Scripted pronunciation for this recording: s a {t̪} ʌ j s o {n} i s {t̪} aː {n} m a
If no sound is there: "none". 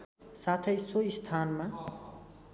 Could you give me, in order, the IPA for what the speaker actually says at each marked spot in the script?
t̪ʰ, none, t̪ʰ, n

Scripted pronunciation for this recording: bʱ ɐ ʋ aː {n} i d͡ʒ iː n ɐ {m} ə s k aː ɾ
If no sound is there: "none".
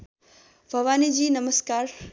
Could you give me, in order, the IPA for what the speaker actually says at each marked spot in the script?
n, m

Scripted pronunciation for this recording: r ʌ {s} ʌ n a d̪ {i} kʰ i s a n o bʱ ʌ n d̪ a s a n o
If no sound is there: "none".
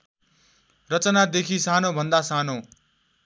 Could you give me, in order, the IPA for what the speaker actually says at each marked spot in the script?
t͡s, e

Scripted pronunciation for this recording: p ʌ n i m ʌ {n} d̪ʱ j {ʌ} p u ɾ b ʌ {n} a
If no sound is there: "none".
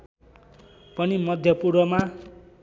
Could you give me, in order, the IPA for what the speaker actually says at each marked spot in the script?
none, ʌ, m

